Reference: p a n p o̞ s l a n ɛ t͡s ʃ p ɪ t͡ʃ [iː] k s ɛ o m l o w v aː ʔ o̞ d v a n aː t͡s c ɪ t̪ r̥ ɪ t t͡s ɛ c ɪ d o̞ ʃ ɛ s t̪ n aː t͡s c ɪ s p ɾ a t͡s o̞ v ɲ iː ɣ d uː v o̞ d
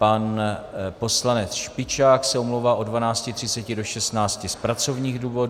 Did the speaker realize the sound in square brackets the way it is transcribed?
no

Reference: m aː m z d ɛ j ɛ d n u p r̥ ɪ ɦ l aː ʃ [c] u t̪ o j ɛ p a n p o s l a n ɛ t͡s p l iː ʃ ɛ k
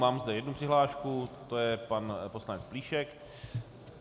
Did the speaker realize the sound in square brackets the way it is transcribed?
no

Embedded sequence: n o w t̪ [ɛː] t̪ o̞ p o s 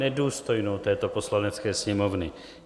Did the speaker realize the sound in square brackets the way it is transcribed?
yes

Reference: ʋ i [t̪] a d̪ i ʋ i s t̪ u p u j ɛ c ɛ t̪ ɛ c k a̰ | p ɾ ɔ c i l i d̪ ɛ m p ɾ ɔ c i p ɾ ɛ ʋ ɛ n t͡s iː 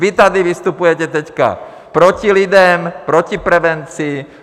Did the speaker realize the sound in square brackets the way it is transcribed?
yes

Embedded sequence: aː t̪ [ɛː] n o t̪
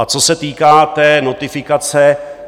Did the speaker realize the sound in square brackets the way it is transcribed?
yes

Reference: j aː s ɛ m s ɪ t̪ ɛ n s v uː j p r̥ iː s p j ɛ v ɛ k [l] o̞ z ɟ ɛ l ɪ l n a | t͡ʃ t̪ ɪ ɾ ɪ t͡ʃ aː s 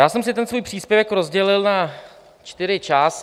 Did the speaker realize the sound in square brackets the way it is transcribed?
no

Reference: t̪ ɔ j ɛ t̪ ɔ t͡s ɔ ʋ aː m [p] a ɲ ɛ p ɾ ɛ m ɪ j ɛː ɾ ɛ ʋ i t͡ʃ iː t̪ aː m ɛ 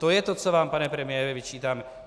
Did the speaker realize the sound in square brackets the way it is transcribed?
yes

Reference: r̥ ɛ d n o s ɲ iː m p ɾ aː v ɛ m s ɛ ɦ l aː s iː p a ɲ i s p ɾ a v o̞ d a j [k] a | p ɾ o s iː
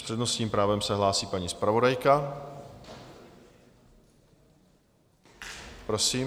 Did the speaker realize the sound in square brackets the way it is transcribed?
yes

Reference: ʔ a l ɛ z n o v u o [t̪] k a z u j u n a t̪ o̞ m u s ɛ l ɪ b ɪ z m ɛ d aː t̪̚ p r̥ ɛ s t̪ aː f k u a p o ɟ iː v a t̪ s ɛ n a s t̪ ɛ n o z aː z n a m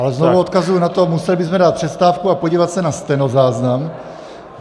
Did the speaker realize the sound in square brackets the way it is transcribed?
yes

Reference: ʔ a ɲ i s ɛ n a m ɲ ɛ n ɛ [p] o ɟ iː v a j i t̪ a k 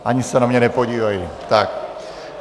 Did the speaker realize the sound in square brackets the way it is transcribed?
yes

